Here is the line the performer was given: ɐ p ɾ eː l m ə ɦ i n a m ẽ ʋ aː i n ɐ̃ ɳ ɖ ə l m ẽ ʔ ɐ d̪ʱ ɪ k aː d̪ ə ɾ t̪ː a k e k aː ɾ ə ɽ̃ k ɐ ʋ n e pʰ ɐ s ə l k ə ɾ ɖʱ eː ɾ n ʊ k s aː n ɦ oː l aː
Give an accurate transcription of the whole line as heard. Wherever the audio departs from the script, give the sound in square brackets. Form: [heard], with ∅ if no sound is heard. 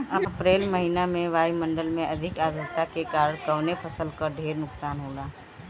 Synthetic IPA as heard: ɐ p ɾ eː l m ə ɦ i n a m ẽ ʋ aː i [m] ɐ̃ ɳ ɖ ə l m ẽ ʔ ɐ d̪ʱ ɪ k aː d̪ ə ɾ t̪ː a k e k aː ɾ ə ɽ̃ k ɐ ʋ n e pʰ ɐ s ə l k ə ɾ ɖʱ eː ɾ n ʊ k s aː n ɦ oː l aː